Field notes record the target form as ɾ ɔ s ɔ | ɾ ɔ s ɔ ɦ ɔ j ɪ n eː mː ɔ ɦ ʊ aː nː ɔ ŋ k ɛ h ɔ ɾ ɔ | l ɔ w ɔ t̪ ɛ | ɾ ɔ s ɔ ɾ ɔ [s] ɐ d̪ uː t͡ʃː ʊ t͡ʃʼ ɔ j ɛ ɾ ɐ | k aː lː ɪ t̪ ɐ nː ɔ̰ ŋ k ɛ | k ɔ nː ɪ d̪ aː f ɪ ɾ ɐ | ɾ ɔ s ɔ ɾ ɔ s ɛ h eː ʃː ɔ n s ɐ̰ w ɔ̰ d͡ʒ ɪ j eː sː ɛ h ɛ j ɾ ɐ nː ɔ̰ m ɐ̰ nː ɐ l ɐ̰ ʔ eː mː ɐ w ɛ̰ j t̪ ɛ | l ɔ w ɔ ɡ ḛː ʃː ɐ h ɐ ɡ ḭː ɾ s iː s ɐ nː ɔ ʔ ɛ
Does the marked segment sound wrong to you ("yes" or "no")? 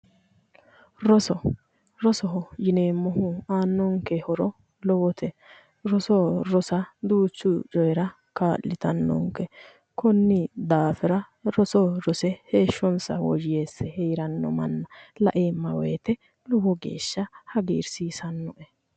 no